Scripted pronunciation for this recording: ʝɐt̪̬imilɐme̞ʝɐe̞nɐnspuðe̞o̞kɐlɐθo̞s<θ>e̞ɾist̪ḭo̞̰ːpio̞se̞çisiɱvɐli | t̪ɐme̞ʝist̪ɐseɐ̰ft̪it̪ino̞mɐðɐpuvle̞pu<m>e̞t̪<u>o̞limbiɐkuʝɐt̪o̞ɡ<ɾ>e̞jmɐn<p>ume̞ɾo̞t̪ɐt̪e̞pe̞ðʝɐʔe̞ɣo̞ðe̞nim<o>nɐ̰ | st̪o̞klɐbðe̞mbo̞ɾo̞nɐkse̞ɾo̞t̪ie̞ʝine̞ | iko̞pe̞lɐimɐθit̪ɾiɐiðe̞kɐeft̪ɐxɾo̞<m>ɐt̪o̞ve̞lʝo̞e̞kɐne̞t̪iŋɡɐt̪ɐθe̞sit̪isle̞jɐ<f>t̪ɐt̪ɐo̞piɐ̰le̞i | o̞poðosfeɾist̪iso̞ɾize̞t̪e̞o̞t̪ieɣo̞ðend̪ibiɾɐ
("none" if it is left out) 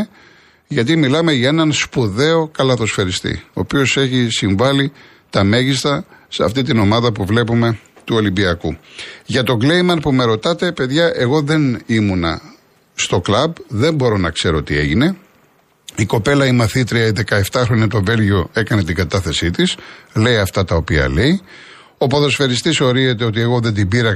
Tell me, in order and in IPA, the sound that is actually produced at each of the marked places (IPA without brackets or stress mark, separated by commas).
f, m, u, l, p, u, ɲ, f